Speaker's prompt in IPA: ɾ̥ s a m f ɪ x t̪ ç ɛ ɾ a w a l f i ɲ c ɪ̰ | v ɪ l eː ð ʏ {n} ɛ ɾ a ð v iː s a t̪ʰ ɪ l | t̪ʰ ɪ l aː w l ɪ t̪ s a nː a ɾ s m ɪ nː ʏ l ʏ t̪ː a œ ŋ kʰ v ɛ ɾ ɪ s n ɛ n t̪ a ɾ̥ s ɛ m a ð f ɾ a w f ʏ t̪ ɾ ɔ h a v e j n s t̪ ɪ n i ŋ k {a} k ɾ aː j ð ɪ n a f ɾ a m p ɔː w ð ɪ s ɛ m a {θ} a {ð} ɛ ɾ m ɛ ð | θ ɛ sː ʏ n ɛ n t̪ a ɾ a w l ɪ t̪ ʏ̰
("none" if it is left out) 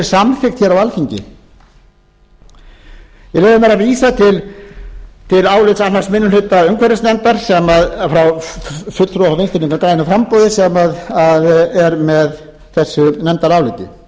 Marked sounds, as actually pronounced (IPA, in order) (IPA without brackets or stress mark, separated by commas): m, a, ð, ð